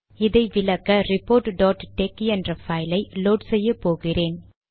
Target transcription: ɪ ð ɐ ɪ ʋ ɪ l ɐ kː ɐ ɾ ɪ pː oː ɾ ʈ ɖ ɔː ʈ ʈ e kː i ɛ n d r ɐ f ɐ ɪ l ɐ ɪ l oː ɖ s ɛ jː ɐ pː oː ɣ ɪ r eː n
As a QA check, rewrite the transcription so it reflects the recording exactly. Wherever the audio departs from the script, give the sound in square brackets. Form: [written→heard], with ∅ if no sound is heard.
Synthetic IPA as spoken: ɪ ð ɐ ɪ ʋ ɪ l ɐ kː ɐ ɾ ɪ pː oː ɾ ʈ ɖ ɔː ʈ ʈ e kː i ɛ n d r ɐ f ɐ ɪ l ɐ ɪ l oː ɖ s ɛ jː ɐ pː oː ɣ ɪ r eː n